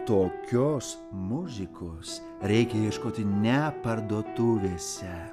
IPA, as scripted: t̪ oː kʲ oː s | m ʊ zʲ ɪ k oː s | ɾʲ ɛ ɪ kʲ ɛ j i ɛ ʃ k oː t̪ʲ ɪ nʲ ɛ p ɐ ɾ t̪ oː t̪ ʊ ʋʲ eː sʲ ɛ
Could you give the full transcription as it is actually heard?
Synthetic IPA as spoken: t̪ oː kʲ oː s | m ʊ zʲ ɪ k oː s | ɾʲ ɛ ɪ kʲ ɛ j i ɛ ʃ k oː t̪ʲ ɪ nʲ ɛ p ɐ ɾ d̪ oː t̪ ʊ ʋʲ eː sʲ ɛ